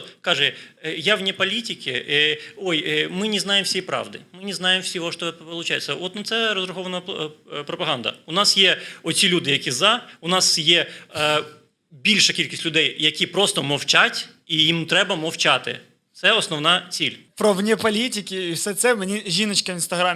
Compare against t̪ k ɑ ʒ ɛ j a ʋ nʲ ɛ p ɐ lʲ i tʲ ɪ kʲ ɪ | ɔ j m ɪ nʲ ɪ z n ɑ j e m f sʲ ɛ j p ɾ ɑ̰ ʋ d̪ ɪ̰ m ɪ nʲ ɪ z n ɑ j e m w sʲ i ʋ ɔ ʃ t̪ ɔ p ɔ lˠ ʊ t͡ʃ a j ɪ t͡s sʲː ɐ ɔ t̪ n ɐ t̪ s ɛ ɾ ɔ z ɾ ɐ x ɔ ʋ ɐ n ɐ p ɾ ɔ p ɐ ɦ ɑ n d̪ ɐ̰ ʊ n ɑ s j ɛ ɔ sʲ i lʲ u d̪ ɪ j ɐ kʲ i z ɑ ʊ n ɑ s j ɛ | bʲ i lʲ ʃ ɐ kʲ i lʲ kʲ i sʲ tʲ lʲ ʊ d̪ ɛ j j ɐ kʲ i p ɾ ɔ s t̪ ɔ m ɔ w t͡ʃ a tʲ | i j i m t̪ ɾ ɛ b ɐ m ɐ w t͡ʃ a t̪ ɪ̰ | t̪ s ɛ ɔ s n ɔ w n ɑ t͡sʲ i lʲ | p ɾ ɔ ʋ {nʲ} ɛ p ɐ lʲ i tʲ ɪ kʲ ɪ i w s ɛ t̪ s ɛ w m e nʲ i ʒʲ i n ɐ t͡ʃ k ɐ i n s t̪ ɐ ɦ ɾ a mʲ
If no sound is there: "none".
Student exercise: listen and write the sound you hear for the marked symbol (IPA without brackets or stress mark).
nʲ